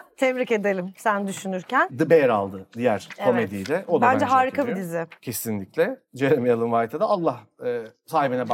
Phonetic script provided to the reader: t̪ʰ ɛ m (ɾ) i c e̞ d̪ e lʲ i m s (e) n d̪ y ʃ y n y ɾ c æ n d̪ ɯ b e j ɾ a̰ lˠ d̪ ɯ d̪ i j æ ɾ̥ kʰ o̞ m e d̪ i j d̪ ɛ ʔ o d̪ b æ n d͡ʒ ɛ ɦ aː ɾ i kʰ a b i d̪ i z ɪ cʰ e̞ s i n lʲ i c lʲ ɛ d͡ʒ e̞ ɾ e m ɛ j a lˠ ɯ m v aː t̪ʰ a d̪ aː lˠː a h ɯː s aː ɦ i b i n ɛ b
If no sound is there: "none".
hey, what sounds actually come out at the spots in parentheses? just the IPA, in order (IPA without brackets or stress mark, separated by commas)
ɾ, æ